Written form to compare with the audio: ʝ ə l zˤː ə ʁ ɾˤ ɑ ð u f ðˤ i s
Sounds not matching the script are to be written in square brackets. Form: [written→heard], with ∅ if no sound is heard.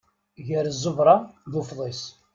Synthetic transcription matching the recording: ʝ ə [l→ɾ] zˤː ə [ʁ→v] ɾˤ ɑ ð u f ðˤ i s